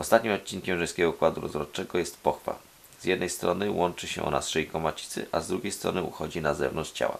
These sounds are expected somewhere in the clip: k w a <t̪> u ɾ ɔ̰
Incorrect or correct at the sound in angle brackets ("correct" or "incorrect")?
incorrect